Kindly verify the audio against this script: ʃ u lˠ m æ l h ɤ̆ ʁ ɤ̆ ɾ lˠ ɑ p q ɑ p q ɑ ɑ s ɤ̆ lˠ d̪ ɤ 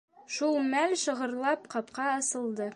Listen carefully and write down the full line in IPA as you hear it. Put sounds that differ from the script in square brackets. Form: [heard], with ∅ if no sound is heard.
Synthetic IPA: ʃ u lˠ m æ l [ʃ] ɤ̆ ʁ ɤ̆ ɾ lˠ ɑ p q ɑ p q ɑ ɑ s ɤ̆ lˠ d̪ ɤ